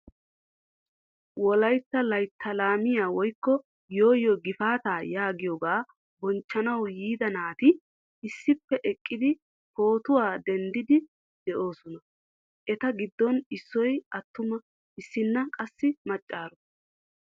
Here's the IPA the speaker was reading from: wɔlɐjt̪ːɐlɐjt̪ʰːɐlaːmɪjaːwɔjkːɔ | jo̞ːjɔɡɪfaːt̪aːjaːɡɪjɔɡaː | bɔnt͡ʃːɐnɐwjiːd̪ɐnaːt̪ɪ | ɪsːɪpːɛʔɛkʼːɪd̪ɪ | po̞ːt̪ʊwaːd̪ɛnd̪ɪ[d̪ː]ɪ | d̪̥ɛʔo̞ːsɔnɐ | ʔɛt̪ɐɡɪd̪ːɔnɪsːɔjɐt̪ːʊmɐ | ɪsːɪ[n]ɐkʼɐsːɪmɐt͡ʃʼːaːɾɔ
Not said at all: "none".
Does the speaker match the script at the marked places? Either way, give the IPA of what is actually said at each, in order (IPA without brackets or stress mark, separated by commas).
d̪, nː